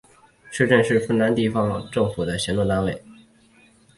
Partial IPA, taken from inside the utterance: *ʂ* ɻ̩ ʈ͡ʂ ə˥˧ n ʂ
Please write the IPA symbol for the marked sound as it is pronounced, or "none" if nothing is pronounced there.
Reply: ʂ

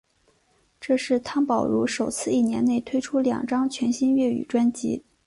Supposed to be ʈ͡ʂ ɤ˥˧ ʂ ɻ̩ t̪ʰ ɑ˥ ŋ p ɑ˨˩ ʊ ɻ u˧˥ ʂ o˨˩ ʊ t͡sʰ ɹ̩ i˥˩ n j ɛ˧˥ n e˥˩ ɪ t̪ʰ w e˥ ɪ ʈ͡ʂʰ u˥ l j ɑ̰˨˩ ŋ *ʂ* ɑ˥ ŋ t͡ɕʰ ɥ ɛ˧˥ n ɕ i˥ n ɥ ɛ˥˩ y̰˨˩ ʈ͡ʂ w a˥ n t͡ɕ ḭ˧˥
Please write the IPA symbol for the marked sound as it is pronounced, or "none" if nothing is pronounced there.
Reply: ʈ͡ʂ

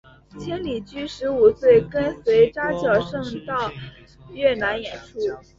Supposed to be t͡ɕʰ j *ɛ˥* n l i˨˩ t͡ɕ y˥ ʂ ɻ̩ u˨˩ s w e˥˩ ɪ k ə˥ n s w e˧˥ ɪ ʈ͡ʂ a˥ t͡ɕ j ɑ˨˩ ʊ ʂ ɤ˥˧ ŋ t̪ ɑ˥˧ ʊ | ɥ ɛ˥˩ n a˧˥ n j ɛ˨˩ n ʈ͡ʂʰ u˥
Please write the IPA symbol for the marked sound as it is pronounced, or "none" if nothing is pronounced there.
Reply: ɛ˥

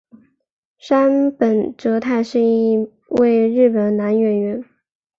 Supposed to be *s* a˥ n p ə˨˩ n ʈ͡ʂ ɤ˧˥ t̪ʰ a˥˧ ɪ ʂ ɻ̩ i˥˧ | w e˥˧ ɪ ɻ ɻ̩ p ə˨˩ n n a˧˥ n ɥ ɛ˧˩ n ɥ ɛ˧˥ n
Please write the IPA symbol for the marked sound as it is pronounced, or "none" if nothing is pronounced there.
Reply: ʂ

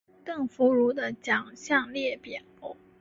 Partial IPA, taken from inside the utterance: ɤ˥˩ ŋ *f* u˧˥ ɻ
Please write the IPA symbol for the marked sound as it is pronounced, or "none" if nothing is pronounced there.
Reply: f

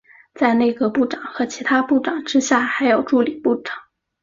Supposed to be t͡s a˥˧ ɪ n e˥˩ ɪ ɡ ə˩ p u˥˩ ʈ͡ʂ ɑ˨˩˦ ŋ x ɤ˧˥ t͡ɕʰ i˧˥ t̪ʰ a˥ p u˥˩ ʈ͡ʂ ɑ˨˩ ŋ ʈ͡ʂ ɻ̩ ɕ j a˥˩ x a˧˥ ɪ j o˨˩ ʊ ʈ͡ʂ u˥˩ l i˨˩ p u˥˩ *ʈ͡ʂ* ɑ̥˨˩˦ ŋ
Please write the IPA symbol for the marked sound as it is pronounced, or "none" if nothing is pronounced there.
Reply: ʈ͡ʂ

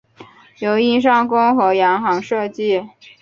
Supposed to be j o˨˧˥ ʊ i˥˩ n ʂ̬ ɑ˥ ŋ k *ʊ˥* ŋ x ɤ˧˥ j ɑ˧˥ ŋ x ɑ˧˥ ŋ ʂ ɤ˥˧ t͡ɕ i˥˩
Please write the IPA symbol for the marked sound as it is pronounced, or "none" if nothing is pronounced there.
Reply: ʊ˥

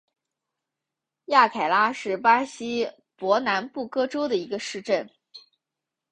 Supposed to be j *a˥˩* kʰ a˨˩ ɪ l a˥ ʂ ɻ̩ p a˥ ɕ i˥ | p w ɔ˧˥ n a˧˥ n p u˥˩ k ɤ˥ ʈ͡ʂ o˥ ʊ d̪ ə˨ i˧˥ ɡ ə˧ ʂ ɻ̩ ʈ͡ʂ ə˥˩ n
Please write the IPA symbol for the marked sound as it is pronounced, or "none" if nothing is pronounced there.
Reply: a˥˩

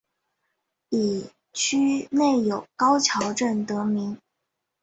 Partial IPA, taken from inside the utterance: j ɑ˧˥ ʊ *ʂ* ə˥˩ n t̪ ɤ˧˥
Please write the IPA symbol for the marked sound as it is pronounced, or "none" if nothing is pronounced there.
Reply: ʈ͡ʂ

